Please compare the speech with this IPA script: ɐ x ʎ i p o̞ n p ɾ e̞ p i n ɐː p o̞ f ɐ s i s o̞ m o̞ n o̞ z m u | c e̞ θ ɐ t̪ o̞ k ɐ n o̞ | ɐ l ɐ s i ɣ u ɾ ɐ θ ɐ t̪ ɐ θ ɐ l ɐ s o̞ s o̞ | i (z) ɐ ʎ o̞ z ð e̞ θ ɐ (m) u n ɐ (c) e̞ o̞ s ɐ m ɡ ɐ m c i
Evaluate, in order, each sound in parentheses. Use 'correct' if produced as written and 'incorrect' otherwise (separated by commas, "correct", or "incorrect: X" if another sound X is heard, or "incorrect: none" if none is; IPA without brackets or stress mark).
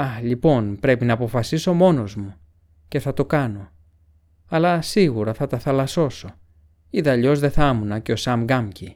incorrect: ð, correct, correct